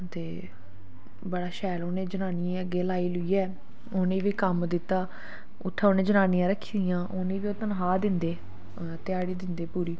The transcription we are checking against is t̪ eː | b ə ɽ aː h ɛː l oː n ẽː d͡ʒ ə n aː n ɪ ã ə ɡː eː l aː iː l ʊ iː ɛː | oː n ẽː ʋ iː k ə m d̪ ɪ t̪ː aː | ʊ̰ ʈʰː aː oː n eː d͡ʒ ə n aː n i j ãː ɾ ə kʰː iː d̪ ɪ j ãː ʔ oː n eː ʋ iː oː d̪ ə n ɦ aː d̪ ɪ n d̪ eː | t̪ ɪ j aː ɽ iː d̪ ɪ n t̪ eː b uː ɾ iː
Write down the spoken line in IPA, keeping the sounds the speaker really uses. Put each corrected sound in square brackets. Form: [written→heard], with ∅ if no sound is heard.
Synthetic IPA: t̪ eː | b ə ɽ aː [h→ʃ] ɛː l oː n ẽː d͡ʒ ə n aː n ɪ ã ə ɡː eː l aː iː l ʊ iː ɛː | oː n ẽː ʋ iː k ə m d̪ ɪ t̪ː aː | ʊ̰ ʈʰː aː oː n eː d͡ʒ ə n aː n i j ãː ɾ ə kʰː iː d̪ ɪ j ãː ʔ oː n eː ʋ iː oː [d̪→t̪] ə n ɦ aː d̪ ɪ n d̪ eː | t̪ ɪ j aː ɽ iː d̪ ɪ n [t̪→d̪] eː [b→p] uː ɾ iː